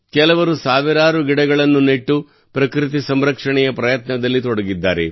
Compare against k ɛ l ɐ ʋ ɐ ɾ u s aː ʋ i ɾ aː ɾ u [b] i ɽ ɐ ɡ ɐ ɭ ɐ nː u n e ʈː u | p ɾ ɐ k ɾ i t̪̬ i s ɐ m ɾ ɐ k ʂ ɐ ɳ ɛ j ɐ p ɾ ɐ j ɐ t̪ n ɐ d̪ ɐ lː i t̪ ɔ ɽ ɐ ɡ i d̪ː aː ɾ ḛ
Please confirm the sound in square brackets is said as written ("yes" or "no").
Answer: no